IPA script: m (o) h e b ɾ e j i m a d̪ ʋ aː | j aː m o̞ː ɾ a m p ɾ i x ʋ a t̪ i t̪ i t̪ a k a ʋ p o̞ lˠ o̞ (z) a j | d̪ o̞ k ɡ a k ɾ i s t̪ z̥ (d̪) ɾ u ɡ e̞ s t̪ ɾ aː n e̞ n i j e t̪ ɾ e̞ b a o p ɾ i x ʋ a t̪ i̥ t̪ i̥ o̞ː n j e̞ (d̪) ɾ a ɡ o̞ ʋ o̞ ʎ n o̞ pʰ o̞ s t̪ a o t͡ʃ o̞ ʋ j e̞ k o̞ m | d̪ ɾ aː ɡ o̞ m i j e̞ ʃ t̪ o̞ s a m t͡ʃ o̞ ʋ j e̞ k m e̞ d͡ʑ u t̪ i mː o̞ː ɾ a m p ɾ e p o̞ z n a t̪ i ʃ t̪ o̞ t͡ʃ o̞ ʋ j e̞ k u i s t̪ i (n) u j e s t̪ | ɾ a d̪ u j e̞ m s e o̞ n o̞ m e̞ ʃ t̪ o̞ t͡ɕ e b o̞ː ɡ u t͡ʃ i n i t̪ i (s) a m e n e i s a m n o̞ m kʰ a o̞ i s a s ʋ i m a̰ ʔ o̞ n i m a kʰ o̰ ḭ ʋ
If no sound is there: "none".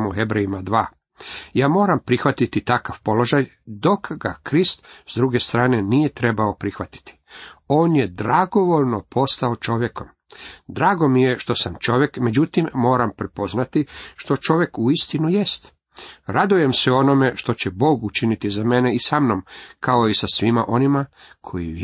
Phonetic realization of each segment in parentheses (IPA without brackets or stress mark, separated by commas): u, ʒ, d̪, d̪, n, z